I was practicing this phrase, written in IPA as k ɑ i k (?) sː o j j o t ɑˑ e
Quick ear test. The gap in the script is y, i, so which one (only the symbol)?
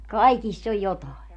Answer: i